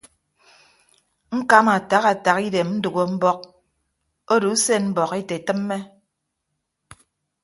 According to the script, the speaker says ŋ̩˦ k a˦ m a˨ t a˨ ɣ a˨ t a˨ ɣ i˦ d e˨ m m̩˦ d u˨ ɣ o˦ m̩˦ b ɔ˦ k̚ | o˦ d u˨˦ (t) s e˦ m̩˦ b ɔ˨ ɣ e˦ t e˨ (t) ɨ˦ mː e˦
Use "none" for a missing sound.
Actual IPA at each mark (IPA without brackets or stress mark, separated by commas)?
none, t